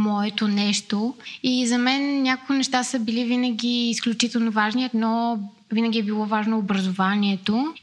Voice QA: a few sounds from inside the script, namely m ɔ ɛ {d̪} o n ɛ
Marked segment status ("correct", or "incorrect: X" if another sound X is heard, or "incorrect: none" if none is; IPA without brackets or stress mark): incorrect: t̪